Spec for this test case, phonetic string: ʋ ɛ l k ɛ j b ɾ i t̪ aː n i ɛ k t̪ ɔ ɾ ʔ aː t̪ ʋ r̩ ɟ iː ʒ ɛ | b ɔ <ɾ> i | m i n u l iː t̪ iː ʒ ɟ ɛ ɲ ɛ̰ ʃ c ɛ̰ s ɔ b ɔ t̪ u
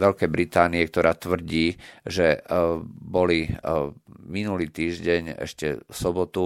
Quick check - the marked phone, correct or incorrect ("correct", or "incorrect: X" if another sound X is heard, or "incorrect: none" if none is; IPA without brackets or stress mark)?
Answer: incorrect: l